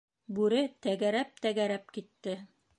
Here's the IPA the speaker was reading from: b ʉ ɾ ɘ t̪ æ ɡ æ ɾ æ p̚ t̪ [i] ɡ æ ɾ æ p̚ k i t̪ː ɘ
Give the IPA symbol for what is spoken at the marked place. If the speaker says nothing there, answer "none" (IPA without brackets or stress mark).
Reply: æ